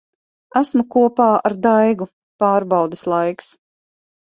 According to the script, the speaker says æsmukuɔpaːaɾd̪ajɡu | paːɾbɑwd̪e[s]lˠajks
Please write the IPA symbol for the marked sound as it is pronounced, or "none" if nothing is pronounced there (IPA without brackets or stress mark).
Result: s